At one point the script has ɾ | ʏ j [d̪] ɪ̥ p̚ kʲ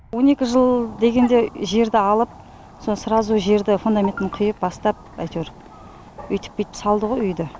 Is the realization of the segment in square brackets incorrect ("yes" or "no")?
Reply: yes